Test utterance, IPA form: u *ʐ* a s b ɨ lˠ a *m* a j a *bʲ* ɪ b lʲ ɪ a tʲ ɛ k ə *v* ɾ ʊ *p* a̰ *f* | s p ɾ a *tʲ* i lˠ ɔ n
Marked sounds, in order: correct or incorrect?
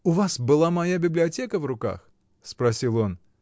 incorrect: v, correct, correct, correct, incorrect: k, incorrect: x, incorrect: sʲ

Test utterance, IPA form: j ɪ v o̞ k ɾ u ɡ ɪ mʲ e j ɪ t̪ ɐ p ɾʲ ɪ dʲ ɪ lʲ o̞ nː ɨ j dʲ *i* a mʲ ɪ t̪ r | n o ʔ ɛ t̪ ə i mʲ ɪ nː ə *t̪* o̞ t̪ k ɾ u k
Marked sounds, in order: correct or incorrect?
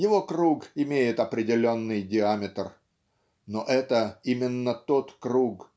incorrect: ɪ, correct

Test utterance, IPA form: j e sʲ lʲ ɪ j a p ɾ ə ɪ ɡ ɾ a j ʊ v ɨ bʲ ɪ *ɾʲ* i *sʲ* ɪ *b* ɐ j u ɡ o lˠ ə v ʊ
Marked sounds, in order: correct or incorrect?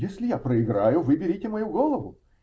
correct, incorrect: tʲ, incorrect: m

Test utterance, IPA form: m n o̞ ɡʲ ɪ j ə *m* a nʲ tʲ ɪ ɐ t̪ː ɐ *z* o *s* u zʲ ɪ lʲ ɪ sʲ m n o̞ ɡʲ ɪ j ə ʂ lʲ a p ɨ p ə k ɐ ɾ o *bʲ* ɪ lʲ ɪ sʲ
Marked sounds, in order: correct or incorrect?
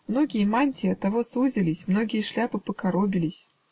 correct, incorrect: v, correct, correct

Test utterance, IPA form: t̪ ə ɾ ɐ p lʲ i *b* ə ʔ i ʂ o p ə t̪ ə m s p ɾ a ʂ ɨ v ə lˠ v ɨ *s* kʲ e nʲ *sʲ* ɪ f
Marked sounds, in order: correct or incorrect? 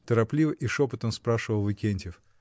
incorrect: v, incorrect: none, incorrect: tʲ

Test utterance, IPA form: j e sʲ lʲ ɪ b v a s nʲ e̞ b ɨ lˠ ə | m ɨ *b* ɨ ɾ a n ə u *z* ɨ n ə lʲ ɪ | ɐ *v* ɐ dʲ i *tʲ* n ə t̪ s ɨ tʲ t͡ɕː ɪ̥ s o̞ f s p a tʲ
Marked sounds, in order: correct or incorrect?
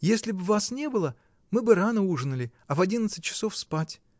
correct, incorrect: ʐ, correct, incorrect: none

